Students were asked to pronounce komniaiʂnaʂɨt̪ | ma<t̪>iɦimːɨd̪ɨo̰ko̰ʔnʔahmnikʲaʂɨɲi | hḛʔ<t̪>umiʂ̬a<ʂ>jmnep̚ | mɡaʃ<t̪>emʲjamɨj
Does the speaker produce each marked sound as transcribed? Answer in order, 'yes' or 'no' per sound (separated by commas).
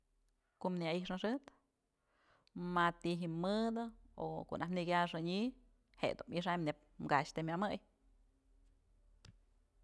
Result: yes, no, no, yes